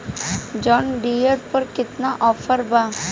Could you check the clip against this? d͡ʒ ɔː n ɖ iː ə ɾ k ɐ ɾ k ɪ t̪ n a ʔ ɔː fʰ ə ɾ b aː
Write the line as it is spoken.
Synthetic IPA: d͡ʒ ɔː n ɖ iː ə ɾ p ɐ ɾ k ɪ t̪ n a ʔ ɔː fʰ ə ɾ b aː